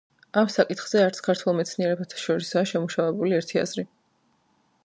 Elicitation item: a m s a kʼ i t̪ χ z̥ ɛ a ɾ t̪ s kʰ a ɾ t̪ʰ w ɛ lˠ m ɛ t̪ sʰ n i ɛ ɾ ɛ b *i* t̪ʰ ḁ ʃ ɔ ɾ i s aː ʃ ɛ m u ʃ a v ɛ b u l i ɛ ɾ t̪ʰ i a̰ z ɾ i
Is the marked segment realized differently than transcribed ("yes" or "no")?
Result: yes